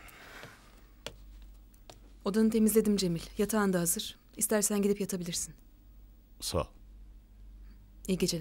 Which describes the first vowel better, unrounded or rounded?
rounded